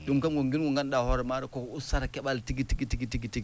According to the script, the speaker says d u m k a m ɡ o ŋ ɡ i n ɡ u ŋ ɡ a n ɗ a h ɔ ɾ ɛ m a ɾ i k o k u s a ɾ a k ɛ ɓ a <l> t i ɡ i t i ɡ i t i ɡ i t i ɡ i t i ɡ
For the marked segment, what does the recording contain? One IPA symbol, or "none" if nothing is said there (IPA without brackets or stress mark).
l